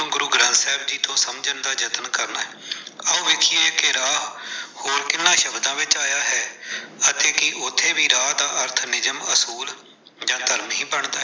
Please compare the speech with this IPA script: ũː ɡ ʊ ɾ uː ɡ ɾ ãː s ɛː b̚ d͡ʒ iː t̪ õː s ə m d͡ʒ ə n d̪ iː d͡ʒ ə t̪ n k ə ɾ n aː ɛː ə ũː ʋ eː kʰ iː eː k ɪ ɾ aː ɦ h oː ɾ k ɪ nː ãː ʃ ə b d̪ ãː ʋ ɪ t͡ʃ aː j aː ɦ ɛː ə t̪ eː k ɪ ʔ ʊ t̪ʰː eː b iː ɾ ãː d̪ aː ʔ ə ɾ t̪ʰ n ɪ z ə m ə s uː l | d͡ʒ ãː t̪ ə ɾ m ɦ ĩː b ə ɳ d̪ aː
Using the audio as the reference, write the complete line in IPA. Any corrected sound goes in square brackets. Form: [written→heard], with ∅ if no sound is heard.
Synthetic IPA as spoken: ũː ɡ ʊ ɾ uː ɡ ɾ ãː s ɛː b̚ d͡ʒ iː t̪ õː s ə m d͡ʒ ə n d̪ [iː→aː] d͡ʒ ə t̪ n k ə ɾ n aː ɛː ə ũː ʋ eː kʰ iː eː k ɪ ɾ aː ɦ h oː ɾ k ɪ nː ãː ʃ ə b d̪ ãː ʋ ɪ t͡ʃ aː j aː ɦ ɛː ə t̪ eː k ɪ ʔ ʊ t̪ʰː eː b iː ɾ [ãː→aː] d̪ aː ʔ ə ɾ t̪ʰ n ɪ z ə m ə s uː l | d͡ʒ ãː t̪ ə ɾ m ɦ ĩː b ə ɳ d̪ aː